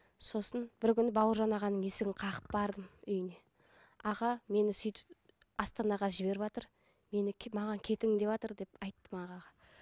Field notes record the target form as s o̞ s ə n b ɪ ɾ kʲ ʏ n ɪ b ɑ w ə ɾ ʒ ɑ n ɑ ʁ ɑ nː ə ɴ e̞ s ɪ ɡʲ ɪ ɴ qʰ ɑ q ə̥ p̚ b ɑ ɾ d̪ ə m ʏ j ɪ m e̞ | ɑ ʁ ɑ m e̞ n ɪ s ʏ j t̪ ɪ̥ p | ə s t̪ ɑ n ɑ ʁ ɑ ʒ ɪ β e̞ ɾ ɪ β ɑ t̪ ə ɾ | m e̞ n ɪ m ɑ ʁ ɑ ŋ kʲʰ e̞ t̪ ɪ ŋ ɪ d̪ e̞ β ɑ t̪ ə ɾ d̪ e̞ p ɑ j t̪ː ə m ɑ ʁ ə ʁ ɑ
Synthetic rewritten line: s o̞ s ə n b ɪ ɾ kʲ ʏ n ɪ b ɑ w ə ɾ ʒ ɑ n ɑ ʁ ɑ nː ə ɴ e̞ s ɪ ɡʲ ɪ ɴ qʰ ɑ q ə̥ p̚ b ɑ ɾ d̪ ə m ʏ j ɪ n e̞ | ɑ ʁ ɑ m e̞ n ɪ s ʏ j t̪ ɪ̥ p | ɑ s t̪ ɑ n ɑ ʁ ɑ ʒ ɪ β e̞ ɾ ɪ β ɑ t̪ ə ɾ | m e̞ n ɪ m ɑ ʁ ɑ ŋ kʲʰ e̞ t̪ ɪ ŋ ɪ d̪ e̞ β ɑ t̪ ə ɾ d̪ e̞ p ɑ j t̪ː ə m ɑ ʁ ɑ ʁ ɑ